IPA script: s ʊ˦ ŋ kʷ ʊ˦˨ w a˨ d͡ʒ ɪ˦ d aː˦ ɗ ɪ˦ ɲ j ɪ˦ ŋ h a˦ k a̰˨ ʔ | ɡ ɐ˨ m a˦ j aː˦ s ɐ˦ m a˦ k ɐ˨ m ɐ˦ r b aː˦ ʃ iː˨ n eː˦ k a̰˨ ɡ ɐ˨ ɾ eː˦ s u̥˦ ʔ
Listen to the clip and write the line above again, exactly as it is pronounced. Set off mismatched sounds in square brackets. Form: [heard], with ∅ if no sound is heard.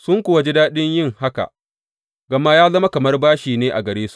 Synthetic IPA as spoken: s ʊ˦ ŋ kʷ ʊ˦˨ w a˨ d͡ʒ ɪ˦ d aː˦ ɗ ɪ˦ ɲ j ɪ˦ ŋ h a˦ k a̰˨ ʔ | ɡ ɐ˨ m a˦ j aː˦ [z] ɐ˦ m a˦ k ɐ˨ m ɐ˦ r b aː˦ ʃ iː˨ n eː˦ [ʔ] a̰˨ ɡ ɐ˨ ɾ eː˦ s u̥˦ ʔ